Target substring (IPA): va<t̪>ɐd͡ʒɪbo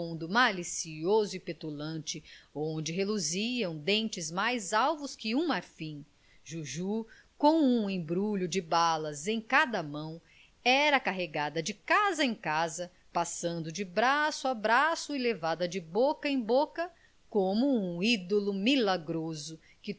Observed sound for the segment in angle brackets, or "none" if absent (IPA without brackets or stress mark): d̪